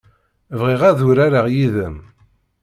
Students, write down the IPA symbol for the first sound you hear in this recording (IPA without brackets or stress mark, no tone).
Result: v